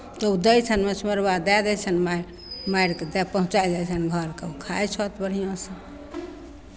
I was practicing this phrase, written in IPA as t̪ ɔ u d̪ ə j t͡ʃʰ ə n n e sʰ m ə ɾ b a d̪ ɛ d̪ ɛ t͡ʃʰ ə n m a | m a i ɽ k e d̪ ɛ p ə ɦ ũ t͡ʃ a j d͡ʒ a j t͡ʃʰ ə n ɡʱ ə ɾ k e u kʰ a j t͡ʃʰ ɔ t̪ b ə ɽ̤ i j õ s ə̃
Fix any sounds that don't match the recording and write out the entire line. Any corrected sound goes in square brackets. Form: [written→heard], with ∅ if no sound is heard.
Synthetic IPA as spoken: t̪ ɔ u d̪ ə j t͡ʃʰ ə n [n→m] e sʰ m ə ɾ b a d̪ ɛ d̪ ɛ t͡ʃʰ ə n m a | m a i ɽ k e d̪ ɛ p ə ɦ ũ t͡ʃ a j d͡ʒ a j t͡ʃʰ ə n ɡʱ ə ɾ k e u kʰ a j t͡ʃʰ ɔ t̪ b ə ɽ̤ i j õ s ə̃